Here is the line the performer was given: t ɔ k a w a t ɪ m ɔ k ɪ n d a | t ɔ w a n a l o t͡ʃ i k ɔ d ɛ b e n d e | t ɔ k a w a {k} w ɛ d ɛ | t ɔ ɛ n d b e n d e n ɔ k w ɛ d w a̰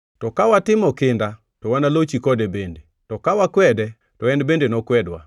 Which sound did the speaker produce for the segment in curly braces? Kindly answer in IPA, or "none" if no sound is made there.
k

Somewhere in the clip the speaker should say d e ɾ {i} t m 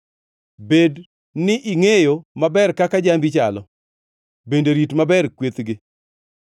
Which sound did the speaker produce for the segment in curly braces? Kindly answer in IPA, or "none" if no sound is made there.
i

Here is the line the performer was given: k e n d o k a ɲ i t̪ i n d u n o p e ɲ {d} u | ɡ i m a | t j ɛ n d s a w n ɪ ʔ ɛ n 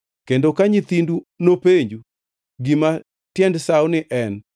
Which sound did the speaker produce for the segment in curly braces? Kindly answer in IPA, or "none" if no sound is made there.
d͡ʒ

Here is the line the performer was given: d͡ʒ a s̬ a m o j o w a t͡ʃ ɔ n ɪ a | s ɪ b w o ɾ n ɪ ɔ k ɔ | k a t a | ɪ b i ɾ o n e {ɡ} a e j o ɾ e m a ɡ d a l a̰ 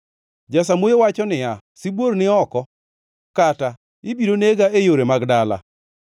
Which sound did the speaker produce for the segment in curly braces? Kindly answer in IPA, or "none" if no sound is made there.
ɡ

